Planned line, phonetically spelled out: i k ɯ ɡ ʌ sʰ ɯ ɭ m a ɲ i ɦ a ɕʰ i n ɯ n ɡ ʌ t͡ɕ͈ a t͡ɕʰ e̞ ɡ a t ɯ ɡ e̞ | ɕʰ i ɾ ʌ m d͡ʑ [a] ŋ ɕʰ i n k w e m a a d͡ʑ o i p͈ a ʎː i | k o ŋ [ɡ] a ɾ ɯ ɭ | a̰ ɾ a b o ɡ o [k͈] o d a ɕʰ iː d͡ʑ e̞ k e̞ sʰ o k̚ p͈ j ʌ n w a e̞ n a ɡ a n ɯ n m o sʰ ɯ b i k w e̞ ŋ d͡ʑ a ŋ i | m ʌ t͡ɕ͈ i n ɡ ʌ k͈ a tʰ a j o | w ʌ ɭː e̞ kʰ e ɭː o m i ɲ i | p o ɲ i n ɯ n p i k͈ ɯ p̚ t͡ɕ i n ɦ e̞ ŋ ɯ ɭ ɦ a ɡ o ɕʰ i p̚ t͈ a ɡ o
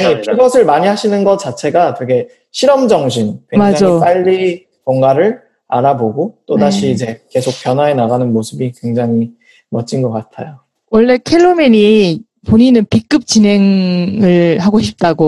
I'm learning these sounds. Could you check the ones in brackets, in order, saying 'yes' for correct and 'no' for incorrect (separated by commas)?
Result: no, yes, no